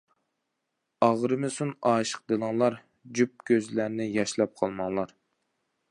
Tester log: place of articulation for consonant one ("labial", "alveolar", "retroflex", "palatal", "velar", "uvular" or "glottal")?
uvular